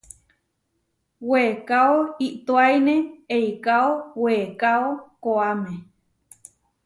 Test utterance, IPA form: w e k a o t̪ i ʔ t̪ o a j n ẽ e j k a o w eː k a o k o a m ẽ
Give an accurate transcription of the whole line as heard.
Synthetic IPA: w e k a o i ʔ t̪ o a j n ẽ e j k a o w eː k a o k o a m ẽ